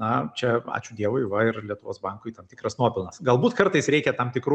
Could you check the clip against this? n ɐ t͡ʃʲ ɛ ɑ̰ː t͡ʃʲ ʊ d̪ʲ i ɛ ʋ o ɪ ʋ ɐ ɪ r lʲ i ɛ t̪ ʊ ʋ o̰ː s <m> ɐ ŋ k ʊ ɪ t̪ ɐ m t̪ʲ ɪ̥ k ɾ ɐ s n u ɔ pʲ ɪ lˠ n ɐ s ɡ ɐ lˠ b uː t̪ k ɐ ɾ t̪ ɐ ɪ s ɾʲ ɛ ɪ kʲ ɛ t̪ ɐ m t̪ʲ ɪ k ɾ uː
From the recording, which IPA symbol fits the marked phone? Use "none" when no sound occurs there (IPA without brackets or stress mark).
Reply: b